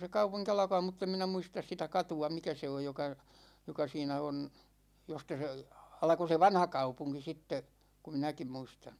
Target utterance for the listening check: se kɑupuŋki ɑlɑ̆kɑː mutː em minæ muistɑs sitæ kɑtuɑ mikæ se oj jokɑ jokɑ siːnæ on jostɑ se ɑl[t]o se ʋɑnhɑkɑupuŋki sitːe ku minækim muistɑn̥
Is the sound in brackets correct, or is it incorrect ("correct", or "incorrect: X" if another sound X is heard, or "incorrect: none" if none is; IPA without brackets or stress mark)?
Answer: incorrect: k